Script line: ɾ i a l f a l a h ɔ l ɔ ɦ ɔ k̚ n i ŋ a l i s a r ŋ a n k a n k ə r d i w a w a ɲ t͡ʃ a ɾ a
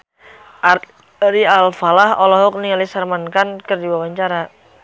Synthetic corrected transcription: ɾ i a l f a l a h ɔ l ɔ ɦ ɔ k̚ n i ŋ a l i s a r m a n k a n k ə r d i w a w a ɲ t͡ʃ a ɾ a